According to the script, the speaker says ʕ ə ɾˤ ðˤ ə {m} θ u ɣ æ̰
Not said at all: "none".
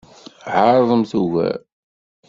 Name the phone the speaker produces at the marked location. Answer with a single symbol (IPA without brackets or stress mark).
m